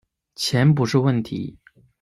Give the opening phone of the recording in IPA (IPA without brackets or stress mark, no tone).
t͡ɕʰ